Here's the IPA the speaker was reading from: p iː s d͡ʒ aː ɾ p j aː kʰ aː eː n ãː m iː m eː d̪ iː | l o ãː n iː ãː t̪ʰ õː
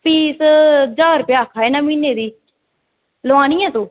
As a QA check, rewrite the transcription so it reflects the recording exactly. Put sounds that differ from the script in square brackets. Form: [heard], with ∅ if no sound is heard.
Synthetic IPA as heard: p iː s d͡ʒ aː ɾ p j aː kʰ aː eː n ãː m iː [n] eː d̪ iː | l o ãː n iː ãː [t̪] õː